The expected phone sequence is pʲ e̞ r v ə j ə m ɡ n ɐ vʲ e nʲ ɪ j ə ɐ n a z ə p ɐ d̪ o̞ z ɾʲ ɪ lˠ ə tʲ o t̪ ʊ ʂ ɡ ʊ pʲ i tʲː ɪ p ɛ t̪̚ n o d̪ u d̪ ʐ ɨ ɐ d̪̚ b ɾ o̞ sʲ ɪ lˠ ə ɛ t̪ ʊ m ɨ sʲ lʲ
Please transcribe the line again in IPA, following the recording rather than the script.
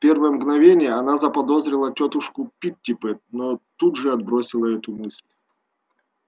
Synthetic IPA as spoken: pʲ e̞ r v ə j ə m ɡ n ɐ vʲ e nʲ ɪ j ə ɐ n a z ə p ɐ d̪ o̞ z ɾʲ ɪ lˠ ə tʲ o t̪ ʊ ʂ k ʊ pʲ i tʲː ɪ p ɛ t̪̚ n o t̪ u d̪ ʐ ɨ ɐ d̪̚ b ɾ o̞ sʲ ɪ lˠ ə ɛ t̪ ʊ m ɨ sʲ lʲ